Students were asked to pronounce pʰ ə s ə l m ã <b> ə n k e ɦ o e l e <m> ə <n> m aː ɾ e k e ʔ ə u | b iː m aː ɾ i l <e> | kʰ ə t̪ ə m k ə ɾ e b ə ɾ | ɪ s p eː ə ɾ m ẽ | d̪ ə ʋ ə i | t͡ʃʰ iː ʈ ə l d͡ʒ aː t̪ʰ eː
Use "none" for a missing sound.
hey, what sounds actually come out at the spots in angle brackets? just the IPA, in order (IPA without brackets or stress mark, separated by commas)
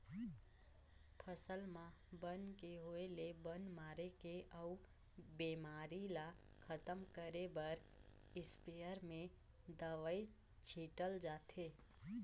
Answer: b, b, n, a